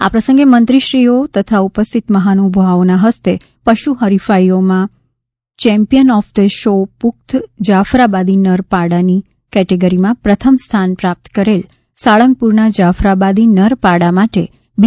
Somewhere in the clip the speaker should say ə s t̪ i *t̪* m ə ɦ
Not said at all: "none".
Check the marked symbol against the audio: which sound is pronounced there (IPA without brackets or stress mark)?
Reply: t̪